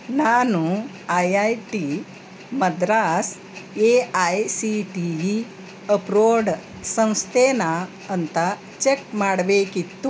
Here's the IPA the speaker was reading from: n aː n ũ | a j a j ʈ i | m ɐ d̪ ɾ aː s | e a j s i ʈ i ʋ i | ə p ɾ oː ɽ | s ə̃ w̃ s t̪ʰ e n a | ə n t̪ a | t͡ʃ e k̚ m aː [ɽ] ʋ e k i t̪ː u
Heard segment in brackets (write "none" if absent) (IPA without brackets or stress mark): ɽ